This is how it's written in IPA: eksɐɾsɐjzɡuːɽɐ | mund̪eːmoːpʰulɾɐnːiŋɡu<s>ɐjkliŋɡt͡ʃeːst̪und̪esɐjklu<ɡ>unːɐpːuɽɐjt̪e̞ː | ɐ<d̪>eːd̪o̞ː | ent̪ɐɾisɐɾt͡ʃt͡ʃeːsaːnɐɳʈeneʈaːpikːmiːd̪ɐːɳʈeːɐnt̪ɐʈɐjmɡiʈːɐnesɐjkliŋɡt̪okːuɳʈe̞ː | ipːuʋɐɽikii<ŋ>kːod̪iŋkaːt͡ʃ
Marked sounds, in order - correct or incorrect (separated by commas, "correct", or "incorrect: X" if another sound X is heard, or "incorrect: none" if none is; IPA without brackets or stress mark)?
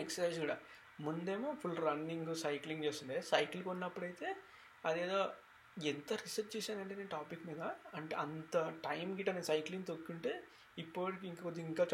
correct, incorrect: k, correct, correct